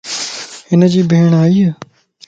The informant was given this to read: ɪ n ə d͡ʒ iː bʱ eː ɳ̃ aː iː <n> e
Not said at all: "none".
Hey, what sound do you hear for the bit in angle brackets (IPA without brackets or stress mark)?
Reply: none